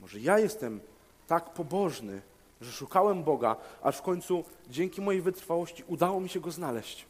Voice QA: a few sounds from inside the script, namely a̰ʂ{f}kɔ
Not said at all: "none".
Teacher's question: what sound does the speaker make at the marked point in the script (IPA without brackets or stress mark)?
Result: f